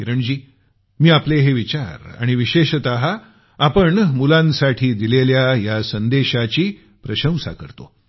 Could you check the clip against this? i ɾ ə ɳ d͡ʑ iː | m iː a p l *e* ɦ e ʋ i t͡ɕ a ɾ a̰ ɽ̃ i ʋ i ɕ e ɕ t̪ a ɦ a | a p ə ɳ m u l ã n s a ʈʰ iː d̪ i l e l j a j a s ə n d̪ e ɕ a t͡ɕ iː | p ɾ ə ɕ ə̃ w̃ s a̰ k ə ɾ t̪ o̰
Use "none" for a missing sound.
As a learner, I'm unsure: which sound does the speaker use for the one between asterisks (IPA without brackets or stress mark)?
e